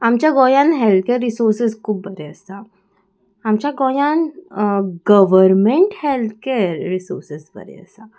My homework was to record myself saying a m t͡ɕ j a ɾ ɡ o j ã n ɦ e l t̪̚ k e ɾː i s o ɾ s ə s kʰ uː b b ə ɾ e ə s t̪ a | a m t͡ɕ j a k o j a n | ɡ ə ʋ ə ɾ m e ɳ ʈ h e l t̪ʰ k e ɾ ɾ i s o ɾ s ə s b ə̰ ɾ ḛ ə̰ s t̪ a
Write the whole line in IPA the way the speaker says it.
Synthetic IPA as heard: a m t͡ɕ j a ɡ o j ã n ɦ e l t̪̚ k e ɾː i s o ɾ s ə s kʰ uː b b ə ɾ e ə s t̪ a | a m t͡ɕ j a ɡ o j a n | ɡ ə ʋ ə ɾ m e ɳ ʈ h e l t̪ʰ k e ɾ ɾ i s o ɾ s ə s b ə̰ ɾ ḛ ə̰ s t̪ a

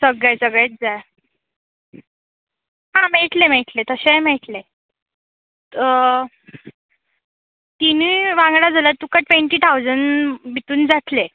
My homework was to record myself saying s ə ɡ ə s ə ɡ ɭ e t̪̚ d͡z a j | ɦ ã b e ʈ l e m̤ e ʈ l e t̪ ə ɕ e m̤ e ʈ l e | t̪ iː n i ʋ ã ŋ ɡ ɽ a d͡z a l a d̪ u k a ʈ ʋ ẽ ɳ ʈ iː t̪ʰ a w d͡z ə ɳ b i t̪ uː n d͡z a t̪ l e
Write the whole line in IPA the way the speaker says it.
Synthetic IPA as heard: s ə ɡ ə s ə ɡ ɭ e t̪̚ d͡z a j | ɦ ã m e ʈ l e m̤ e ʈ l e t̪ ə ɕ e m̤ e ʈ l e | t̪ i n i ʋ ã ŋ ɡ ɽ a d͡z a l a t̪ u k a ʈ ʋ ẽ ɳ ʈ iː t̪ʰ a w d͡z ə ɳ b i t̪ uː n d͡z a t̪ l e

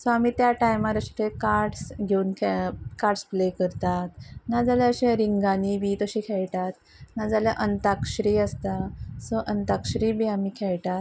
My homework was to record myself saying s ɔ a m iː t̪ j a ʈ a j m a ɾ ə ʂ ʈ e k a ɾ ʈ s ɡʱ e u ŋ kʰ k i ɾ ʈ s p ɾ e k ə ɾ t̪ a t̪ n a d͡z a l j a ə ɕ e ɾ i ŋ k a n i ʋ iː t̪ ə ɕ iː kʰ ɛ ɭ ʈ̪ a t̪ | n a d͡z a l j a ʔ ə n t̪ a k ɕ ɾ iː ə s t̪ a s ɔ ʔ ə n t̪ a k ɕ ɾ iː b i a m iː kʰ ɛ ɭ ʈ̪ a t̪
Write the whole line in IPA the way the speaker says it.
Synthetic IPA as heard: s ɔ a m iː t̪ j a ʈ a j m a ɾ ə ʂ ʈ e k a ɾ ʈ s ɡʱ e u n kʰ k a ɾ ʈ s p l e k ə ɾ t̪ a t̪ n a d͡z a l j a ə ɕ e ɾ i ŋ ɡ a n i ʋ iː t̪ ə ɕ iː kʰ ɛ ɭ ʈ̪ a t̪ | n a d͡z a l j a ʔ ə n t̪ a k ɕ ɾ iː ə s t̪ a s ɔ ʔ ə n t̪ a k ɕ ɾ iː b i a m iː kʰ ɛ ɭ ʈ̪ a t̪

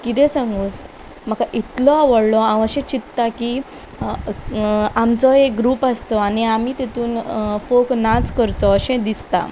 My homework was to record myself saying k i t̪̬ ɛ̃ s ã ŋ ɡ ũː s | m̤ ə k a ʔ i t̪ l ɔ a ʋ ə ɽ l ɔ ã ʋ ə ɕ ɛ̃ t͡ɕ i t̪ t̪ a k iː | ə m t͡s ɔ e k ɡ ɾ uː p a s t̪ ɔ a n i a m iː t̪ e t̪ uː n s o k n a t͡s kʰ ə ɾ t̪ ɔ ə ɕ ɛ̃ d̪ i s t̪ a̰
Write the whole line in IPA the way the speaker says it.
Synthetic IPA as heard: k i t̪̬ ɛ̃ s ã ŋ ɡ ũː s | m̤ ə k a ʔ i t̪ l ɔ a ʋ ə ɽ l ɔ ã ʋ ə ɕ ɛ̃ t͡ɕ i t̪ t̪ a k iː | a m t͡s ɔ e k ɡ ɾ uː p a s t̪ ɔ a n i a m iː t̪ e t̪ uː n f o k n a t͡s k ə ɾ t̪ ɔ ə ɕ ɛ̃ d̪ i s t̪ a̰

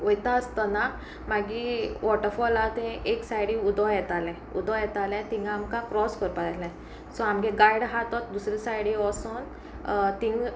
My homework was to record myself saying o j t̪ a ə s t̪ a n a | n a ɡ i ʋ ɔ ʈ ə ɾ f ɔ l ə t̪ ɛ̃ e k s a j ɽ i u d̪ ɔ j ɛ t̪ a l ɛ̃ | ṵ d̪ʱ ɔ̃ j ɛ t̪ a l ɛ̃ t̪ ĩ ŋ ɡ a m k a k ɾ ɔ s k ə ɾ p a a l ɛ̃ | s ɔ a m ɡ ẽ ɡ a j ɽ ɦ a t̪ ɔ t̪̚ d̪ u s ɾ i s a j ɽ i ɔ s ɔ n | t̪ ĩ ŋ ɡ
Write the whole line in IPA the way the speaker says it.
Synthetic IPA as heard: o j t̪ a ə s t̪ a n a | m a ɡ i ʋ ɔ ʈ ə ɾ f ɔ l a t̪ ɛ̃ e k s a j ɽ i u d̪ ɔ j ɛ t̪ a l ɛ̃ | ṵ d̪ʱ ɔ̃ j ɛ t̪ a l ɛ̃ t̪ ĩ ŋ ɡ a m k a k ɾ ɔ s k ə ɾ p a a l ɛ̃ | s ɔ a m ɡ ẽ ɡ a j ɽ ɦ a t̪ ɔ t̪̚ d̪ u s ɾ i s a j ɽ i ɔ s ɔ n | t̪ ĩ ŋ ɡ

